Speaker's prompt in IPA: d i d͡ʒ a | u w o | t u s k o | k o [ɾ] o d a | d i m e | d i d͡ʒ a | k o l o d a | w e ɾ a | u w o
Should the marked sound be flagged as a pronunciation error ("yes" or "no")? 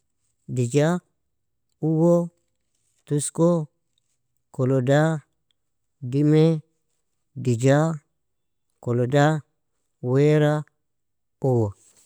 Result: yes